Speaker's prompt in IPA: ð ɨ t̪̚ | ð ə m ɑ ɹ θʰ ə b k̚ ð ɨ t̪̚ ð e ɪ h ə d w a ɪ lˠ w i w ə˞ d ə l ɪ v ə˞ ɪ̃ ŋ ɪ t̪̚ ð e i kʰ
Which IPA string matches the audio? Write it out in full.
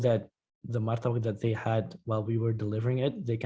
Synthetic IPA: ð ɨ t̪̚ | ð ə m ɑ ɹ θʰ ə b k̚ ð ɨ t̪̚ ð e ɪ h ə d w a ɪ lˠ w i w ə˞ d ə l ɪ v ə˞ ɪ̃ ŋ ɪ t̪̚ ð e ɪ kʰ